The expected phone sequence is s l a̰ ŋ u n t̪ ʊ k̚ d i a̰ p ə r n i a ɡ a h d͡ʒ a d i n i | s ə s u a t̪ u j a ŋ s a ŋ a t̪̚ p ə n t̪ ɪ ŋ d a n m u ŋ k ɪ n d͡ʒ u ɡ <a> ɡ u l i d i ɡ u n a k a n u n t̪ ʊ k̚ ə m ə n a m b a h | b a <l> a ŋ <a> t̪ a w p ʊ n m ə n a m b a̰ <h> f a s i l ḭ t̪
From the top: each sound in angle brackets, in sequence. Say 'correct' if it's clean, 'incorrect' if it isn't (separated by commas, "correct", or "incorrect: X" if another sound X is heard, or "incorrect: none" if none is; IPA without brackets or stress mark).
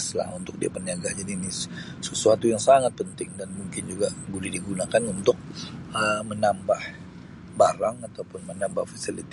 correct, incorrect: ɾ, correct, correct